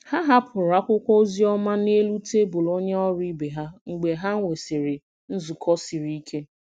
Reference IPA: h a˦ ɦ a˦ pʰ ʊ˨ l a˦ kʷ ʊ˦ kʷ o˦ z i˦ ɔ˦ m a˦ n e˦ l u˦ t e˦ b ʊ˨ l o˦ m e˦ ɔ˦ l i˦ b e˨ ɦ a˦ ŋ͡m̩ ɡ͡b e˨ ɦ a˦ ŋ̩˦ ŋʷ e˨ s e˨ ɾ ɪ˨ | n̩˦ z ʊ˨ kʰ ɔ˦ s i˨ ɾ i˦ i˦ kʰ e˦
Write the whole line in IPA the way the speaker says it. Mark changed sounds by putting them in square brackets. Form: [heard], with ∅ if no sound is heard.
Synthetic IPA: h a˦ ɦ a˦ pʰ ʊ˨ [ɾ] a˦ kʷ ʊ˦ kʷ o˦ z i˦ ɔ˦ m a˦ n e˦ l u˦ t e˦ b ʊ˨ l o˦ [ɲ] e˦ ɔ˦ [ɾ] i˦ b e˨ ɦ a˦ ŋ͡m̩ ɡ͡b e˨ ɦ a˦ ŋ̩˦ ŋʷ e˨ s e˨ ɾ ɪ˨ | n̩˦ z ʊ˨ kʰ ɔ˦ s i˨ ɾ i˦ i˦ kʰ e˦